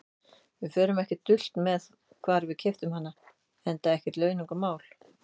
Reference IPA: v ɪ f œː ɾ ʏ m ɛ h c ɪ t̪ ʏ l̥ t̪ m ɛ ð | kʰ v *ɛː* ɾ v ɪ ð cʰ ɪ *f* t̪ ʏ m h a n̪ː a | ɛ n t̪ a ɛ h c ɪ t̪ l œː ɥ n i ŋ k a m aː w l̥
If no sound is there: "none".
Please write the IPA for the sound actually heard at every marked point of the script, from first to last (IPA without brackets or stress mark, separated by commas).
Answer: aː, f